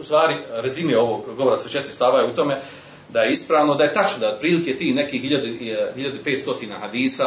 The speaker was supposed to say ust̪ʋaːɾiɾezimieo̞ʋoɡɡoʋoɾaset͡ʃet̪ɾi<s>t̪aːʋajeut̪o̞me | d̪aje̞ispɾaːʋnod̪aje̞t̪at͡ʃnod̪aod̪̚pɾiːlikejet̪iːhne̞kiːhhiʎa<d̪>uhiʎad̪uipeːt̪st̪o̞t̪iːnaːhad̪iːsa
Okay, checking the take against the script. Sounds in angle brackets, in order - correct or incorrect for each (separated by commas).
correct, correct